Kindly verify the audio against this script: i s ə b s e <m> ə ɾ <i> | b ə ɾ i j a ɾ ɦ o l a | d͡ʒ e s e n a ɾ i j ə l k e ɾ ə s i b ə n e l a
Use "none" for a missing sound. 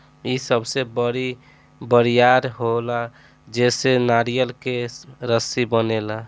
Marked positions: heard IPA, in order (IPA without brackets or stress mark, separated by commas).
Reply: b, i